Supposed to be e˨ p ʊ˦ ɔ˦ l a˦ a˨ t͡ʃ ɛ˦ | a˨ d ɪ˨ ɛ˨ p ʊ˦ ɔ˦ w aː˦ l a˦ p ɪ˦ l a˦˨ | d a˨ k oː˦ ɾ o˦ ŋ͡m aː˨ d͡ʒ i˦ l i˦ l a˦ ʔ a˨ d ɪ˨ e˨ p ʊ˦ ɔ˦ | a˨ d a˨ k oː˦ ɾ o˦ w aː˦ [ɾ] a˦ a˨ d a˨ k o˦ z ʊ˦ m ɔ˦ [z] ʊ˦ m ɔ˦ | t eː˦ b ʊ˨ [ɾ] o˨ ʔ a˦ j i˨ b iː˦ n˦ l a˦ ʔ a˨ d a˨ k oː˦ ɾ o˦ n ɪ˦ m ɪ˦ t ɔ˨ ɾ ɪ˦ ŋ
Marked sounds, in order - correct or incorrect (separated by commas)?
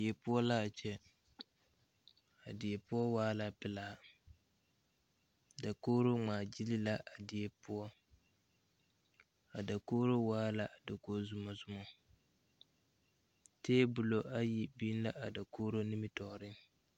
incorrect, correct, incorrect